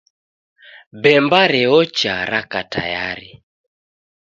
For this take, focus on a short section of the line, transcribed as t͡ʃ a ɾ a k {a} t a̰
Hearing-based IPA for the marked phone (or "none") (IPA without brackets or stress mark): a